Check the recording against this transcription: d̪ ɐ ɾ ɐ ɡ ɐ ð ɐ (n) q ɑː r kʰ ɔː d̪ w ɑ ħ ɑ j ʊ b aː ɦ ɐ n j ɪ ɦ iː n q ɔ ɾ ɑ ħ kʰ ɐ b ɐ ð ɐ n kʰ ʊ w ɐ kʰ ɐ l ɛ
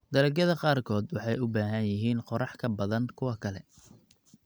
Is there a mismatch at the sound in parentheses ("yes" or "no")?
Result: yes